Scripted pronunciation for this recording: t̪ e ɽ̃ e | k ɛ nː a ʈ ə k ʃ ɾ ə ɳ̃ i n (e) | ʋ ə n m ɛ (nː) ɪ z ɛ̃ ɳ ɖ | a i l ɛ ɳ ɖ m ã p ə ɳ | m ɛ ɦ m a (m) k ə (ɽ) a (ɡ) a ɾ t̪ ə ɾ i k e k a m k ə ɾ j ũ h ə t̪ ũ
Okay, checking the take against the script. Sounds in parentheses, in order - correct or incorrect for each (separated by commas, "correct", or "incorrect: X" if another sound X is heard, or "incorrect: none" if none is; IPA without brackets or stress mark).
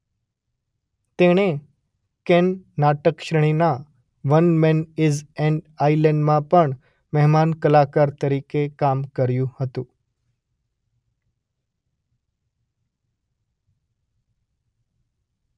incorrect: a, incorrect: n, incorrect: n, incorrect: l, incorrect: k